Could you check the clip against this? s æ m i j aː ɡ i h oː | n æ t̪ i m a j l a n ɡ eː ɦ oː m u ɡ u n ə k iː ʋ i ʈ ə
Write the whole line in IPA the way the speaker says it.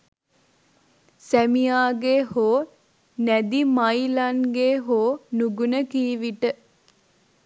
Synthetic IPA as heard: s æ m i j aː ɡ e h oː | n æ d̪ i m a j l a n ɡ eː ɦ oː n u ɡ u n ə k iː ʋ i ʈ ə